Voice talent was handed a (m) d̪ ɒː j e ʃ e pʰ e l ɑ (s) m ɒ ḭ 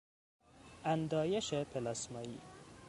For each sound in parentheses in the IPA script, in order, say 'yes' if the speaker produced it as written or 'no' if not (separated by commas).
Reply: no, yes